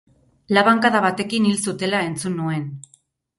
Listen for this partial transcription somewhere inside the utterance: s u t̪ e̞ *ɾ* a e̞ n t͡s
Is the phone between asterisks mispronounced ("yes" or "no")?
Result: yes